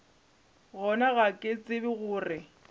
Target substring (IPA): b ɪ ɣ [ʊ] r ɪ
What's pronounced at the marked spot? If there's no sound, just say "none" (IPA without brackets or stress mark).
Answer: ʊː